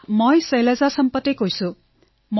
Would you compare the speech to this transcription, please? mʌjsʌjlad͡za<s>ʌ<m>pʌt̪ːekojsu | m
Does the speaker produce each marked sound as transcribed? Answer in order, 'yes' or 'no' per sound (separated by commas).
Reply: yes, yes